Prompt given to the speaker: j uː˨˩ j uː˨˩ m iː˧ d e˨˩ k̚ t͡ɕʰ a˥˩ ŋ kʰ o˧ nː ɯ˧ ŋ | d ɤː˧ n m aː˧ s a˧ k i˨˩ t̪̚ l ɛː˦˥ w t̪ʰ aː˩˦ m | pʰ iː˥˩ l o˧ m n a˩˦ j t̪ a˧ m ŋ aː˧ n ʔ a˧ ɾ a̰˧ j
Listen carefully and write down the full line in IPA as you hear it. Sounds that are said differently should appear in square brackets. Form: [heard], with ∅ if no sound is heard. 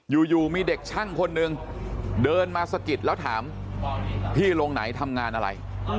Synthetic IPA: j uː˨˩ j uː˨˩ m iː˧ d e˨˩ k̚ t͡ɕʰ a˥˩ ŋ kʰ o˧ nː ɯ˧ ŋ | d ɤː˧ n m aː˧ s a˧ k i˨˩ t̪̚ l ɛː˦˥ w t̪ʰ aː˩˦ m | pʰ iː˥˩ l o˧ [ŋ] n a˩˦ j [t̪ʰ] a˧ m ŋ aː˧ n ʔ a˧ ɾ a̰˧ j